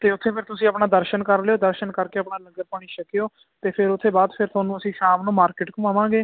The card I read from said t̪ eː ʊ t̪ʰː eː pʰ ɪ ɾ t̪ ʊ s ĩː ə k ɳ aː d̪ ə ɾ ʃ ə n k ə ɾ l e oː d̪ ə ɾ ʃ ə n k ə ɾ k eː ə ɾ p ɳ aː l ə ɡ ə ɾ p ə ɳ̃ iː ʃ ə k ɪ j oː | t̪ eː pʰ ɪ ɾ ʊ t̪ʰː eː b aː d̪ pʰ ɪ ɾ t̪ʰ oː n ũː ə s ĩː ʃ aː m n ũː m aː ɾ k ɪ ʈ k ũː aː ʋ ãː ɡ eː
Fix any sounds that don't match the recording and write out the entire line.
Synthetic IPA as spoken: t̪ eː ʊ t̪ʰː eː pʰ ɪ ɾ t̪ ʊ s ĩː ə p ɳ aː d̪ ə ɾ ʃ ə n k ə ɾ l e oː d̪ ə ɾ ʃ ə n k ə ɾ k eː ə p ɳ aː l ə ɡ ə ɾ p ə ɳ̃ iː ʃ ə k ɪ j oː | t̪ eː pʰ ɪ ɾ ʊ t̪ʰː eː b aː d̪ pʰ ɪ ɾ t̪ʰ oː n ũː ə s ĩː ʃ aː m n ũː m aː ɾ k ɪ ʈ k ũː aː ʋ ãː ɡ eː